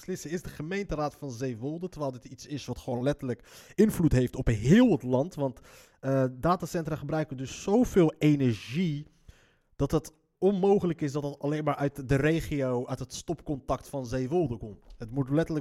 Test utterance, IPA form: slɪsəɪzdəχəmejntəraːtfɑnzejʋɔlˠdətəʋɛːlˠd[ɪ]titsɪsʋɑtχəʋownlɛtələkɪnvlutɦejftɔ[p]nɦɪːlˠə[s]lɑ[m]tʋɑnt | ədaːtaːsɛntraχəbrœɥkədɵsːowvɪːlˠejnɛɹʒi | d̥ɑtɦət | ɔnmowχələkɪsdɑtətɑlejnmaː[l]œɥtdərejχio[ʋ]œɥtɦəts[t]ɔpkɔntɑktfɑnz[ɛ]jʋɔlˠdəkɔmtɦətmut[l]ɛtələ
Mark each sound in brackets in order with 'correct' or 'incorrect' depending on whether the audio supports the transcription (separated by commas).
correct, correct, incorrect, incorrect, incorrect, incorrect, correct, incorrect, correct